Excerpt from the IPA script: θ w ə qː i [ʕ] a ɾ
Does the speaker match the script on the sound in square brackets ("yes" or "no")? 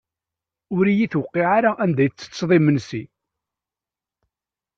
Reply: yes